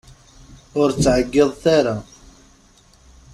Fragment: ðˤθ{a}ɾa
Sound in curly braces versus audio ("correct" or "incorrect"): correct